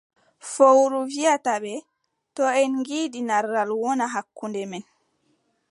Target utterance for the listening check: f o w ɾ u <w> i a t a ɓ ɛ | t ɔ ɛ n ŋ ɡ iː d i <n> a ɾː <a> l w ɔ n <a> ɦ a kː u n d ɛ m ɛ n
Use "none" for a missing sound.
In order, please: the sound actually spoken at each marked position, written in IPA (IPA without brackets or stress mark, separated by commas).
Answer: v, n, a, a